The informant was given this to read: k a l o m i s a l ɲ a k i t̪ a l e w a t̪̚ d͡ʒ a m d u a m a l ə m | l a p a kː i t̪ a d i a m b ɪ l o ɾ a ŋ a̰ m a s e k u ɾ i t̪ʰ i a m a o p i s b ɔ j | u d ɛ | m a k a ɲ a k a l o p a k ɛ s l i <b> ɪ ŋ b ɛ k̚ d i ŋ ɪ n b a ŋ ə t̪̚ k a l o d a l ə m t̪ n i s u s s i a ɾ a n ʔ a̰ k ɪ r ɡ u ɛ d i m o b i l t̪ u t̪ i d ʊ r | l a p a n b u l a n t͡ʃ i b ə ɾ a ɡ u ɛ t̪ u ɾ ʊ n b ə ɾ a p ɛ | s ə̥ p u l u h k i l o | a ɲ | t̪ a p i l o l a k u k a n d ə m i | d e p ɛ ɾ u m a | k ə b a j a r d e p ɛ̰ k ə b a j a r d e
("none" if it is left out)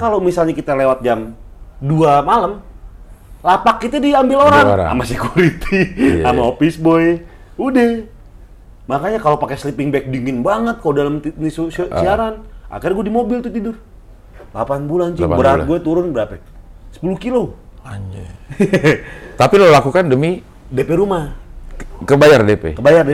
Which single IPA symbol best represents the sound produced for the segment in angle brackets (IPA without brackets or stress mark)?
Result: p